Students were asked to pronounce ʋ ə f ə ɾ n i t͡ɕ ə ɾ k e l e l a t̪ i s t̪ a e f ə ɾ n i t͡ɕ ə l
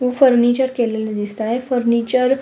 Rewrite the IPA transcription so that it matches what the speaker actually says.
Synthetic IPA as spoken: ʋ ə f ə ɾ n i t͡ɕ ə ɾ k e l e l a d̪ i s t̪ a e f ə ɾ n i t͡ɕ ə ɾ